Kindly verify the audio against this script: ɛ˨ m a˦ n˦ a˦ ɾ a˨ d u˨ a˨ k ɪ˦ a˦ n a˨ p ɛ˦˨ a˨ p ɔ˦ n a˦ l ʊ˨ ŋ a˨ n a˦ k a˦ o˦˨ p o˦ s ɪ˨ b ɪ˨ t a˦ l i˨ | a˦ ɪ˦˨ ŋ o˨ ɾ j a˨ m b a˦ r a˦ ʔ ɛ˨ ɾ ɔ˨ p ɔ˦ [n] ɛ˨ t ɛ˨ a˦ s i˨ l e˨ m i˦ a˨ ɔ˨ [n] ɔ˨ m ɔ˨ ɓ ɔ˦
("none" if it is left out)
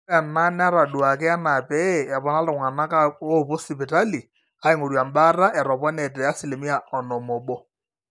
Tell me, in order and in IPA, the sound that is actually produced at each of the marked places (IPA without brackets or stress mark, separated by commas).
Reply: n, n